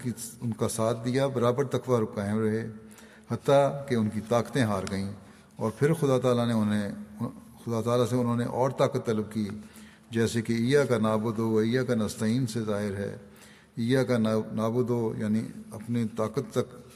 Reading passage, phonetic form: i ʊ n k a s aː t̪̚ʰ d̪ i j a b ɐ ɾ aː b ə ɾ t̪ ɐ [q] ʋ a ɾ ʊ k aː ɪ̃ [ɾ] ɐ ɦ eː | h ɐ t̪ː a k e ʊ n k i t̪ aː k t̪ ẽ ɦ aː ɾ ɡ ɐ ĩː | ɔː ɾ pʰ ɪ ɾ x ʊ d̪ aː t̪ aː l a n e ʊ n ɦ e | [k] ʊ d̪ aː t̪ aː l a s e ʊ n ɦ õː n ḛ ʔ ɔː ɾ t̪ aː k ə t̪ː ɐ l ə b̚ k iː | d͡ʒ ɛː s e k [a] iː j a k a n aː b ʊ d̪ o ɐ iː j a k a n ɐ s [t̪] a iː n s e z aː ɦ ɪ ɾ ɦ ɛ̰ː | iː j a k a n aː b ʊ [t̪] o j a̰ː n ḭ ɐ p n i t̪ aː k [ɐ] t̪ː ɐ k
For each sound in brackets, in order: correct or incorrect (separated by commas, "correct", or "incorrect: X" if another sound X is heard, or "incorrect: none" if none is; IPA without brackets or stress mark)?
incorrect: k, correct, incorrect: x, incorrect: e, correct, incorrect: d̪, incorrect: ə